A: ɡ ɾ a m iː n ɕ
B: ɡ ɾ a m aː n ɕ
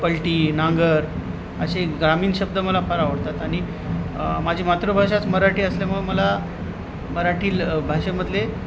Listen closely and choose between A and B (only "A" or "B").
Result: A